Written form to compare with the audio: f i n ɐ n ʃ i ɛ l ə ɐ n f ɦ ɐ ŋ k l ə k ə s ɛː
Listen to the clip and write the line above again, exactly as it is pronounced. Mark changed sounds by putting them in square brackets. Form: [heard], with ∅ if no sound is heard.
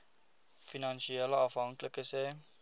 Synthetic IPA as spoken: f i n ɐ n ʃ i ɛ l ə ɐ [∅] f ɦ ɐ ŋ k l ə k ə s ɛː